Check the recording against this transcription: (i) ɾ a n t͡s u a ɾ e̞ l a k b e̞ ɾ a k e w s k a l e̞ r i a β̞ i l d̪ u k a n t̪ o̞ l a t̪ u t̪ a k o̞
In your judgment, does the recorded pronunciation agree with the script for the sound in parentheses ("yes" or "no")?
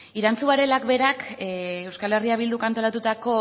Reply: yes